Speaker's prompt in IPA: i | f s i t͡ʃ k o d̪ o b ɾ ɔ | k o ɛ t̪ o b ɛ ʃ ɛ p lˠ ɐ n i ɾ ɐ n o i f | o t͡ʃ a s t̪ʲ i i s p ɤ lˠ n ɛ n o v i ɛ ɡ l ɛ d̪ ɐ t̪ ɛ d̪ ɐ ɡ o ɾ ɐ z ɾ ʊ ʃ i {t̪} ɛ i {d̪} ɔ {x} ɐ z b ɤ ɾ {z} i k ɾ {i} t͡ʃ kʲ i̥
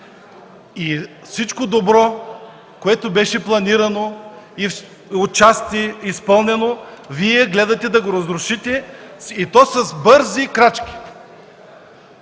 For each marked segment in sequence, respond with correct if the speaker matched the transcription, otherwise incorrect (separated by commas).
correct, incorrect, incorrect, correct, incorrect